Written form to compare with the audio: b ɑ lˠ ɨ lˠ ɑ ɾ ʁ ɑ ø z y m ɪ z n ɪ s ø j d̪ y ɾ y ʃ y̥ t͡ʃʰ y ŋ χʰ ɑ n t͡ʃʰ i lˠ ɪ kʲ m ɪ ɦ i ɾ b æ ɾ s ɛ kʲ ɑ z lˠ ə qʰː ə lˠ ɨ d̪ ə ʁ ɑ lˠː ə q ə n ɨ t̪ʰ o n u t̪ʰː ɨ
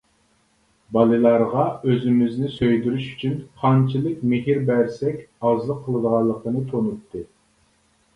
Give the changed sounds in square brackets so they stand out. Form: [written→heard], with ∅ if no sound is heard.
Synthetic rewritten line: b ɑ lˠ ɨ lˠ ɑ ɾ ʁ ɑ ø z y m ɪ z n ɪ s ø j d̪ y ɾ y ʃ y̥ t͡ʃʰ y [ŋ→n] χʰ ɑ n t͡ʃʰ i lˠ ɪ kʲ m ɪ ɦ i ɾ b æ ɾ s ɛ kʲ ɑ z lˠ ə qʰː ə lˠ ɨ d̪ ə ʁ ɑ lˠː ə q ə n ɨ t̪ʰ o n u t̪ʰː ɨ